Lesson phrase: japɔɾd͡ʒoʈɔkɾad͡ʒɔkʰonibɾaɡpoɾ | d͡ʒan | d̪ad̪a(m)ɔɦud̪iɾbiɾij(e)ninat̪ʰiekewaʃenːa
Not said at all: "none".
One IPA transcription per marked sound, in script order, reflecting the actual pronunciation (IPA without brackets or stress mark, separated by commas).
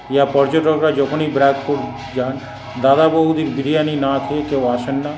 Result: b, a